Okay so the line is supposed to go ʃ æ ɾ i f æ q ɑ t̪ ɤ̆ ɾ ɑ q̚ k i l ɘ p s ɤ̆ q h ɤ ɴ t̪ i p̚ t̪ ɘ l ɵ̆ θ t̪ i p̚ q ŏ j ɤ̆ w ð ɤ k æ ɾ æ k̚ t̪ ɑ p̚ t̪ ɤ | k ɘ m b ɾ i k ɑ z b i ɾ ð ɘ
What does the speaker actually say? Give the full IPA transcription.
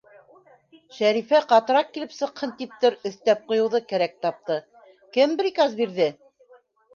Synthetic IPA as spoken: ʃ æ ɾ i f æ q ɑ t̪ ɤ̆ ɾ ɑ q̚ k i l ɘ p s ɤ̆ q h ɤ n t̪ i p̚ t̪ ɘ ɾ ɵ̆ θ t̪ æ p̚ q ŏ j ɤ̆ w ð ɤ k æ ɾ æ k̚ t̪ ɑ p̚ t̪ ɤ | k ɘ m b ɾ i k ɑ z b i ɾ ð ɘ